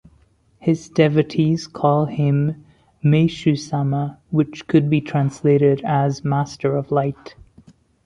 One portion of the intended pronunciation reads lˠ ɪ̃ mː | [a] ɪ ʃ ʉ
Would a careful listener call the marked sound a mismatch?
yes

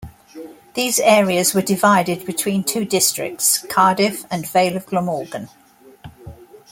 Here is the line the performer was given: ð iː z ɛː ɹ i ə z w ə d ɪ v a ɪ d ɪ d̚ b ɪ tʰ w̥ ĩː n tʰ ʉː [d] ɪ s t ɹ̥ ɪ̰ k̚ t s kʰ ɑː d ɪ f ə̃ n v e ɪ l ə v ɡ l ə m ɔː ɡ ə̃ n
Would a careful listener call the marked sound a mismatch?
no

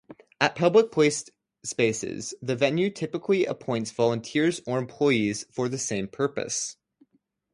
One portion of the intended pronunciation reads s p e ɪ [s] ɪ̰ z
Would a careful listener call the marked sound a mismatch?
no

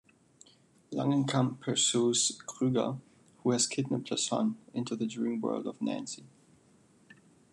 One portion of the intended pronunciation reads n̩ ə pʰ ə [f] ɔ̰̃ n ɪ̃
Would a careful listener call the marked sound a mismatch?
yes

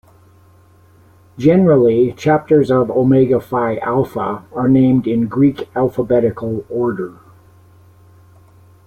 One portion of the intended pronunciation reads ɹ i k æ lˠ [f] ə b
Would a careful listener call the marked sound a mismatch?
no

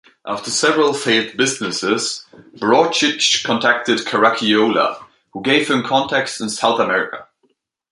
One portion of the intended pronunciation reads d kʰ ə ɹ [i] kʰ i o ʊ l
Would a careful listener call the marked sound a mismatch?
yes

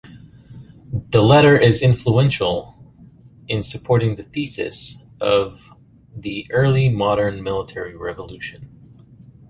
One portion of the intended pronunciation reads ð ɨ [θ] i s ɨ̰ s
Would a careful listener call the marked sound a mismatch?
no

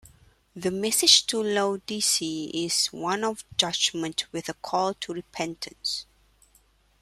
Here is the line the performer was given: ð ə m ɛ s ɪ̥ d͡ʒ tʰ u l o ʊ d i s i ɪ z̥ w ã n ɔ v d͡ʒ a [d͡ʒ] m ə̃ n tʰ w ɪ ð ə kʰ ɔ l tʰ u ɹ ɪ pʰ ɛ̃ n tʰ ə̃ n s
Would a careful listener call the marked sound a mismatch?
no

